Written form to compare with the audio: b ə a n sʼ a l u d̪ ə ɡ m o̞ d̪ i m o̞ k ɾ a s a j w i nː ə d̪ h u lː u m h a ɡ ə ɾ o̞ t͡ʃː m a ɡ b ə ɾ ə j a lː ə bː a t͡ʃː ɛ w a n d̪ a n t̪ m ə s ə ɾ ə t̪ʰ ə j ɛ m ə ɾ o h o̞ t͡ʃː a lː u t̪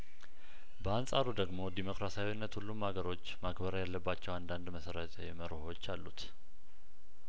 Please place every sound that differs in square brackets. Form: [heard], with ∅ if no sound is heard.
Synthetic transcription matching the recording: b ə a n sʼ a [ɾ] u d̪ ə ɡ m o̞ d̪ i m o̞ k ɾ a s a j w i nː ə [t̪] h u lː u m h a ɡ ə ɾ o̞ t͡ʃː m a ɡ b ə ɾ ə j a lː ə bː a t͡ʃː ɛ w a n d̪ a n [d̪] m ə s ə ɾ ə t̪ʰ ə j ɛ m ə ɾ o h o̞ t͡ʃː a lː u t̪